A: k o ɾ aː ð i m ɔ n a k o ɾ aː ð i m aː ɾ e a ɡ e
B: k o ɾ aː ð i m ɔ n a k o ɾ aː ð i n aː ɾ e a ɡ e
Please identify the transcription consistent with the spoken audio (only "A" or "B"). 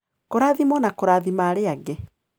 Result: A